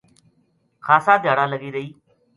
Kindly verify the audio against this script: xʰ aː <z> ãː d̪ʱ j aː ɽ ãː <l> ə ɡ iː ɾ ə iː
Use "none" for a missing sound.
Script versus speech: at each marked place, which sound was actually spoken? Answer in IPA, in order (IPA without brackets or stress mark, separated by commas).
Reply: s, l